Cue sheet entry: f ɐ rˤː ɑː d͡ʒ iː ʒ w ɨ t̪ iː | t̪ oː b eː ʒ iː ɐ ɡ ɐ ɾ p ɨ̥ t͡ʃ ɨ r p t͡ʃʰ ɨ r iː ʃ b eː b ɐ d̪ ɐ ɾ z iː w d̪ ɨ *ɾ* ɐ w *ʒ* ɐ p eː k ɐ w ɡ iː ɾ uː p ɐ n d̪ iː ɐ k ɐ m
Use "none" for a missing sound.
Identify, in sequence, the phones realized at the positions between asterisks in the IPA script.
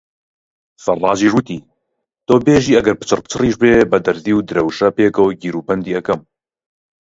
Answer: ɾ, ʃ

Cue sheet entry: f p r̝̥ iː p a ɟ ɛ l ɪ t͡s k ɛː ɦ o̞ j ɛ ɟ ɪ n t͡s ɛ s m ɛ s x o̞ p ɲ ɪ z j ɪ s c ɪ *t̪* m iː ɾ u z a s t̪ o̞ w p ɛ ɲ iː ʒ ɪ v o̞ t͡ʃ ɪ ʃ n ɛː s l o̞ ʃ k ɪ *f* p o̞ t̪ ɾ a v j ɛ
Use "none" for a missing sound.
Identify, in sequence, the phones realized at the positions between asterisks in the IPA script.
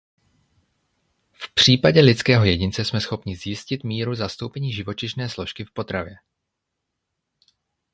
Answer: t̪, f

